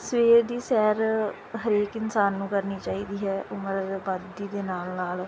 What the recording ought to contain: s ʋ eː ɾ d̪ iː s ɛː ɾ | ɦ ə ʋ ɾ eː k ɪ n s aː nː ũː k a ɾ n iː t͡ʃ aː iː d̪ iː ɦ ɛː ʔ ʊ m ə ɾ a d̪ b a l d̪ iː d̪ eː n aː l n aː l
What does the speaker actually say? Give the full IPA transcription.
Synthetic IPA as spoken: s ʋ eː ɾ d̪ iː s ɛː ɾ | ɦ ə ɾ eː k ɪ n s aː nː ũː k ə ɾ n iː t͡ʃ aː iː d̪ iː ɦ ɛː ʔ ʊ m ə ɾ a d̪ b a d̪ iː d̪ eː n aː l n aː l